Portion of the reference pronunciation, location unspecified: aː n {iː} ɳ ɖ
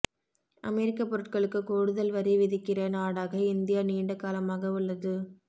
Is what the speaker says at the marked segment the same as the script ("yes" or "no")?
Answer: yes